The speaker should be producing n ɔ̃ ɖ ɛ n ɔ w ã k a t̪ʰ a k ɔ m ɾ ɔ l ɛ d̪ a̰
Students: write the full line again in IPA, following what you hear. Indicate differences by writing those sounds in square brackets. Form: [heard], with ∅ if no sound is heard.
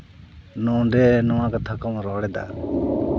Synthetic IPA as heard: n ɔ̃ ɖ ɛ n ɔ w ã k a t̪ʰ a k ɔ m ɾ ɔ [ɽ] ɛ d̪ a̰